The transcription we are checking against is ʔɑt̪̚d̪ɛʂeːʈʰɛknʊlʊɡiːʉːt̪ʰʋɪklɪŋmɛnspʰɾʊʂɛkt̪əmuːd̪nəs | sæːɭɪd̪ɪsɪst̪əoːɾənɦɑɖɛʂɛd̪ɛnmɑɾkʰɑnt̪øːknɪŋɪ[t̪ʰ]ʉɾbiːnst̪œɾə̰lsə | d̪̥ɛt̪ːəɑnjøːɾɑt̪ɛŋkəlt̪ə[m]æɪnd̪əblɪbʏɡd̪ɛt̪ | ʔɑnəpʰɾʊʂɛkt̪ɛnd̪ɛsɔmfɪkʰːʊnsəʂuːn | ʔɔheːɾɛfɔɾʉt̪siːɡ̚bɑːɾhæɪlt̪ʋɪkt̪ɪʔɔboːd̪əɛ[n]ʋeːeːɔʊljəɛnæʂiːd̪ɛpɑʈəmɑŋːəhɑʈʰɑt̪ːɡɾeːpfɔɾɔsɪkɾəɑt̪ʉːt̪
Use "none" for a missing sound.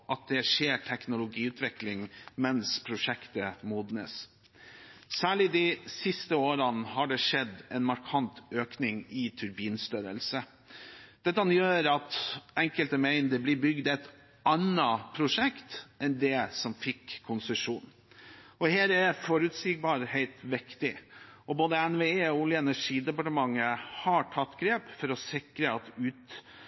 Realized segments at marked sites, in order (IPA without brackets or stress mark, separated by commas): t̪ʰ, m, n